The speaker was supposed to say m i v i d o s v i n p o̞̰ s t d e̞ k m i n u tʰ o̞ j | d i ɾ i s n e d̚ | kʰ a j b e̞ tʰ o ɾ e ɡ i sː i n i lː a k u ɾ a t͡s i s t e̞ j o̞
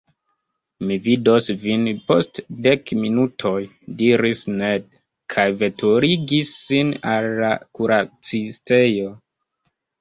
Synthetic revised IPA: m i v i d o s v i n p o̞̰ s t d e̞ k m i n u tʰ o̞ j | d i ɾ i s n e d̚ | kʰ a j v e̞ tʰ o ɾ i ɡ i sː i n a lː a k u ɾ a t͡s i s t e̞ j o̞